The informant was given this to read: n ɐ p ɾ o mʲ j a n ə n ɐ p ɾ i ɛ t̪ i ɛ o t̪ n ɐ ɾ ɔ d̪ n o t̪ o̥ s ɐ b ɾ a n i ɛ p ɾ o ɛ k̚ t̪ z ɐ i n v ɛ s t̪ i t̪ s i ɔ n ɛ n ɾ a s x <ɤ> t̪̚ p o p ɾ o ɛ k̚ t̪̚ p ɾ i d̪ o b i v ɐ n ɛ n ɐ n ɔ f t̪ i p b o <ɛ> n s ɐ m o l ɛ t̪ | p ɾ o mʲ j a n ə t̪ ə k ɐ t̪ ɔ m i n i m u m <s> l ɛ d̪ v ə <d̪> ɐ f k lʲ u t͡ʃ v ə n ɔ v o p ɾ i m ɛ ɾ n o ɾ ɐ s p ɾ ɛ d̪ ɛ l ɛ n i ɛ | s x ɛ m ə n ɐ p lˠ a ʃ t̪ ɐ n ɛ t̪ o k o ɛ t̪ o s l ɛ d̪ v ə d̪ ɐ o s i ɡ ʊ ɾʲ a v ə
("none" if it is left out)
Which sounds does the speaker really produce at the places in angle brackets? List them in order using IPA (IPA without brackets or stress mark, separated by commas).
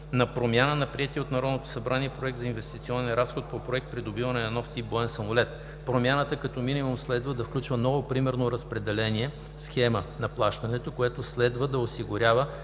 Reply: o, ɛ, s, d̪